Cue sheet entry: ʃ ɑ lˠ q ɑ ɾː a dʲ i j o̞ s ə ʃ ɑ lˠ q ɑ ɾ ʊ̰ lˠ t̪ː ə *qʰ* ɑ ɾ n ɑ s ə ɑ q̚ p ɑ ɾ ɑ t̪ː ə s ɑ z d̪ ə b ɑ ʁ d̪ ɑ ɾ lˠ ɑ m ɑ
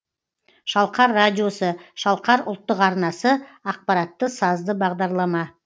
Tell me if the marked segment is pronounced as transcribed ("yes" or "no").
no